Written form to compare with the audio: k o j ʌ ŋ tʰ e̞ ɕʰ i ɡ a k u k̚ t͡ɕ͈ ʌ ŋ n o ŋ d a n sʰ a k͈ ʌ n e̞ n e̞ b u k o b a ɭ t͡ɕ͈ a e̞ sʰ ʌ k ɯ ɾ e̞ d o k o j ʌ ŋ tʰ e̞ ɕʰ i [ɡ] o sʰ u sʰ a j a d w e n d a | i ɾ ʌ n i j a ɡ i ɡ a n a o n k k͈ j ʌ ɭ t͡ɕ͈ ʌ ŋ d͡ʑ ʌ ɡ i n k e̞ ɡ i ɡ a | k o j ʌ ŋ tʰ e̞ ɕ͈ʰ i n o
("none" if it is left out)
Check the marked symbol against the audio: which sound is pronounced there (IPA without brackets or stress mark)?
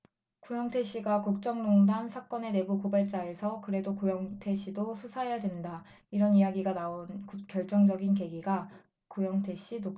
d